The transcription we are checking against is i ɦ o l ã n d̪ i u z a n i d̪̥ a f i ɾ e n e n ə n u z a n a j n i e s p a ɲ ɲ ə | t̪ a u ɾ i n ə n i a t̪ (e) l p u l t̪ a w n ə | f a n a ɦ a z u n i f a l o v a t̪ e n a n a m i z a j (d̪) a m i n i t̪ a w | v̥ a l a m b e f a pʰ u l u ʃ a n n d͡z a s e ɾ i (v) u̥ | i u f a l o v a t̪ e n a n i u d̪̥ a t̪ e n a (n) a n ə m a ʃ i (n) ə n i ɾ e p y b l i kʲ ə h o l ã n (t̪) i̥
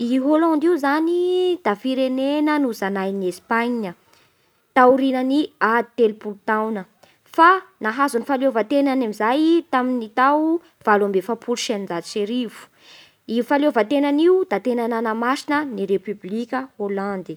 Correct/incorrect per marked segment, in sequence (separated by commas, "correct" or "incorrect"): correct, incorrect, correct, correct, correct, incorrect